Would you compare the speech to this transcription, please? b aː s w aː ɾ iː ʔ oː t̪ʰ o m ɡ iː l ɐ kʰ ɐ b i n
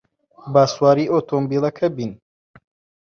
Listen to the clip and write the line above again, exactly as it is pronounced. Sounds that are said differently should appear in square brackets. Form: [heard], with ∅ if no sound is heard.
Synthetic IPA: b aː s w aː ɾ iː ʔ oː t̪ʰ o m [b] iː l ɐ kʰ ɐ b i n